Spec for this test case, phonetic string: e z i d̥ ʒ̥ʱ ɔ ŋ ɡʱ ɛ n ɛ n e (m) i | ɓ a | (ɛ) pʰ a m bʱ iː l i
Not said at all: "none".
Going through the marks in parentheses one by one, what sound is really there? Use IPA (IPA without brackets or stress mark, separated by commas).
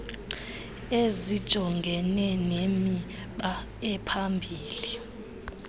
m, ɛ